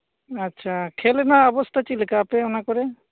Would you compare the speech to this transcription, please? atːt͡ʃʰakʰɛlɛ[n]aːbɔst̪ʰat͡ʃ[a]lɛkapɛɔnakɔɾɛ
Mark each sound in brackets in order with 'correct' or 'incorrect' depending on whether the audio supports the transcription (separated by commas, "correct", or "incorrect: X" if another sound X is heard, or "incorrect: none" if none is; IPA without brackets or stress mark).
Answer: correct, incorrect: i